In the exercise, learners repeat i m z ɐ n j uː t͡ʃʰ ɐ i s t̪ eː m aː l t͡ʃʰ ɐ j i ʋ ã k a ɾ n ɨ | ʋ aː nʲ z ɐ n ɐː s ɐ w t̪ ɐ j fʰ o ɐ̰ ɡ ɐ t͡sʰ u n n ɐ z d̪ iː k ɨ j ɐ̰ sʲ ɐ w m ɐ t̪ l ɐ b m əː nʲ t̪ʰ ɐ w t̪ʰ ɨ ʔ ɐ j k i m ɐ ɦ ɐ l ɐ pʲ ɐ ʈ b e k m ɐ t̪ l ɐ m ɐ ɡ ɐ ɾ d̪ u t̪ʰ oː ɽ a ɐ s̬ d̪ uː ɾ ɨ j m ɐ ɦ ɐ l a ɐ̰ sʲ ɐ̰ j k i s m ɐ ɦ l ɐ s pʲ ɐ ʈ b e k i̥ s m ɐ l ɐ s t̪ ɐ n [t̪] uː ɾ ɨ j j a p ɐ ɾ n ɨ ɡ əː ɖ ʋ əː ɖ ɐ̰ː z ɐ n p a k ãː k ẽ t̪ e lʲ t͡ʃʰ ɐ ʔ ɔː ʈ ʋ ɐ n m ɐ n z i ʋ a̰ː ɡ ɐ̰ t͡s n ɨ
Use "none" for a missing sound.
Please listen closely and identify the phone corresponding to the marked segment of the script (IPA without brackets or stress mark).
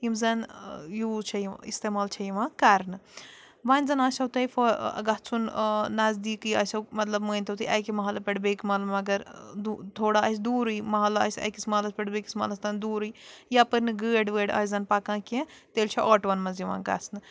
d̪